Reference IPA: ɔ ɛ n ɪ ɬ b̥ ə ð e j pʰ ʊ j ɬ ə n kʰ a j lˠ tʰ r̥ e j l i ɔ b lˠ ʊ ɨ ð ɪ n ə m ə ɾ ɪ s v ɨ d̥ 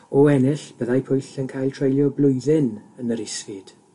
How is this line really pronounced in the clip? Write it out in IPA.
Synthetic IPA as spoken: ɔ ɛ n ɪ ɬ b̥ ə ð a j pʰ ʊ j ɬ ə n kʰ a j lˠ tʰ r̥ e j l j ɔ b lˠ ʊ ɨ ð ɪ n ə n ə ɾ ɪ s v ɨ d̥